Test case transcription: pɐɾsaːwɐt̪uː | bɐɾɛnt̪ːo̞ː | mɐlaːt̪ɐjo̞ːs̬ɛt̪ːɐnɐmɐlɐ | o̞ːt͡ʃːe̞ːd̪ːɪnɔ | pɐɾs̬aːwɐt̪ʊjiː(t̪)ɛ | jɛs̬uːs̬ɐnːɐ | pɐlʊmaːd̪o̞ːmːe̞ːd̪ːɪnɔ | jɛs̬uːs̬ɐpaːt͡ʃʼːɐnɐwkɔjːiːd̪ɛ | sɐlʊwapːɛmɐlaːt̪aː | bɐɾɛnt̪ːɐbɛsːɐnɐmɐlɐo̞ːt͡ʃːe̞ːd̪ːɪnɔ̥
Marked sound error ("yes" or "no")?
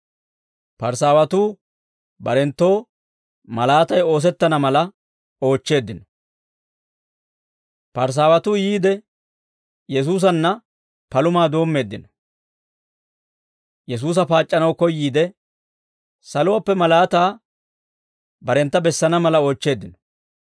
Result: yes